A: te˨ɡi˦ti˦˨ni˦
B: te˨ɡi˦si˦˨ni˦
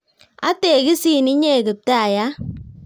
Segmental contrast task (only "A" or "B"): B